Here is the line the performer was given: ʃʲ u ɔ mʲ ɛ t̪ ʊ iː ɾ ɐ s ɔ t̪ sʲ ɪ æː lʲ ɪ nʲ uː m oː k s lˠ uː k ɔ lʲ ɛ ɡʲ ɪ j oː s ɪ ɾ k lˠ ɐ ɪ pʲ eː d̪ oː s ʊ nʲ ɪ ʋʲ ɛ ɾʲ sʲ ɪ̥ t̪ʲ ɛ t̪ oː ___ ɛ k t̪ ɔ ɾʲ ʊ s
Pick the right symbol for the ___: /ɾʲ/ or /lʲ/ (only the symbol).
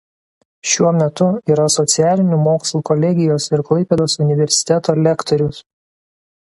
lʲ